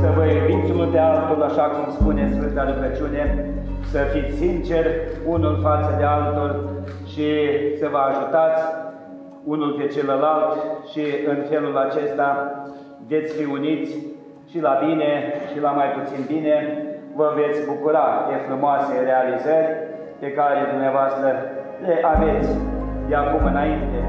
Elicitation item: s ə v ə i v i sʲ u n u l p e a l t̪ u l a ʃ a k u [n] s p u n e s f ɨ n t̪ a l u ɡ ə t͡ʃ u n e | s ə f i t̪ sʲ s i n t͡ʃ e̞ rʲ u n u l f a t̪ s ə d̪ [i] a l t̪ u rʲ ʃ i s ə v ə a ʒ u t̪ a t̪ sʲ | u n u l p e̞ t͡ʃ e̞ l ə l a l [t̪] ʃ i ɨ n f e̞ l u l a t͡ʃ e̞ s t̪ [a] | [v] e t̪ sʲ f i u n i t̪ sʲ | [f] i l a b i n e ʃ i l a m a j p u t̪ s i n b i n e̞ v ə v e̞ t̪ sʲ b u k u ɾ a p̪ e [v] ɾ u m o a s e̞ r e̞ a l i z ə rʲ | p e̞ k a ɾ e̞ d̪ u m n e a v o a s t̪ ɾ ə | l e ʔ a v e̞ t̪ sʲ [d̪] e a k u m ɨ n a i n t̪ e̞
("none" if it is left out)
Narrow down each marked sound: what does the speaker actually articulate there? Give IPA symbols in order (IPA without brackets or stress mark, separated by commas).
m, e, t̪, a, v, ʃ, f, d̪